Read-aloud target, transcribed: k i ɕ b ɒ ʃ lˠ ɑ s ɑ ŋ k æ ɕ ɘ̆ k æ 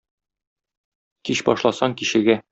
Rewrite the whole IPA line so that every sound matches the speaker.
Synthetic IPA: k i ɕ b ɒ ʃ lˠ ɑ s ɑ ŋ k i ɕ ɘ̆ ɡ æ

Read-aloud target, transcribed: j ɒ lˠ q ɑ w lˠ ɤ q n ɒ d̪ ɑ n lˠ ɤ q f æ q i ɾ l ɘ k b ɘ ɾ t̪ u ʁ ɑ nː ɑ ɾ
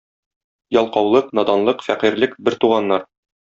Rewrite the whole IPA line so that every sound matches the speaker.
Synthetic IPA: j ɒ lˠ q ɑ w lˠ ɤ q n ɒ d̪ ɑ n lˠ ɤ q f æ q i ɾ l ɘ k b ɘ ɾ t̪ u ʁ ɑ nː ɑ ɾ

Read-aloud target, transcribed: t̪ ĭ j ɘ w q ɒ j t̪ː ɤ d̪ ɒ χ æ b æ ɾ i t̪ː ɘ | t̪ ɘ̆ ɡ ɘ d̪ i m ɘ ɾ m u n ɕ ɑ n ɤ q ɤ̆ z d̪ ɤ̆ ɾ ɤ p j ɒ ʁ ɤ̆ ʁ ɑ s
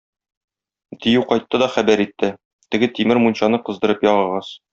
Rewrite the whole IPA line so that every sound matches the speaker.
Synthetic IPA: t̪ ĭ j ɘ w q ɒ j t̪ː ɤ d̪ ɒ χ æ b æ ɾ i t̪ː ɘ | t̪ ɘ̆ ɡ ɘ t̪ i m ɘ ɾ m u n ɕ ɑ n ɤ q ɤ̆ z d̪ ɤ̆ ɾ ɤ p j ɒ ʁ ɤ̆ ʁ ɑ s

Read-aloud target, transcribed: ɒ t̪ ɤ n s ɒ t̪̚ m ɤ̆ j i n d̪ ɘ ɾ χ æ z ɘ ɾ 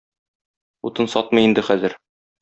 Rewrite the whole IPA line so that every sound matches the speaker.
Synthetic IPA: u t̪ ɤ n s ɒ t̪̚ m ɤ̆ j i n d̪ ɘ χ æ z ɘ ɾ

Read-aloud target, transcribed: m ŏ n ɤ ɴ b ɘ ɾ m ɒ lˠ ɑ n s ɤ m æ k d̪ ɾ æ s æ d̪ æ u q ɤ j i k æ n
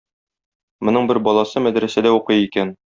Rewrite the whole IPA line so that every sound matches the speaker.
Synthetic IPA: m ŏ n ɤ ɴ b ɘ ɾ b ɒ lˠ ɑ s ɤ m æ d̪ ɾ æ s æ d̪ æ u q ɤ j i k æ n

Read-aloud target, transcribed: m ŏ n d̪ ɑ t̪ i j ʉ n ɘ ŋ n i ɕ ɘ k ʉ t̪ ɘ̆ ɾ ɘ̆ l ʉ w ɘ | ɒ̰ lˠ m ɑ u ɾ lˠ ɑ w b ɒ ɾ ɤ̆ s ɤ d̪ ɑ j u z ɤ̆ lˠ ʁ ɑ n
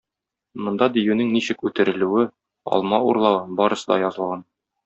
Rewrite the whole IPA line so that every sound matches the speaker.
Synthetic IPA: m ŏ n d̪ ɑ d̪ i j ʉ n ɘ ŋ n i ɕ ɘ k ʉ t̪ ɘ̆ ɾ ɘ̆ l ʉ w ɘ | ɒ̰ lˠ m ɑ u ɾ lˠ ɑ w b ɒ ɾ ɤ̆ s ɤ d̪ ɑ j ɒ z ɤ̆ lˠ ʁ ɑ n

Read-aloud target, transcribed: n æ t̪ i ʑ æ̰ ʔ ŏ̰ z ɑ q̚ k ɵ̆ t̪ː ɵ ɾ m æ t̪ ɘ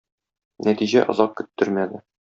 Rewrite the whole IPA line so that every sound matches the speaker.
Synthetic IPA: n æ t̪ i ʑ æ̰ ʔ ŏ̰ z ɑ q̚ k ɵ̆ t̪ː ɵ ɾ m æ d̪ ɘ

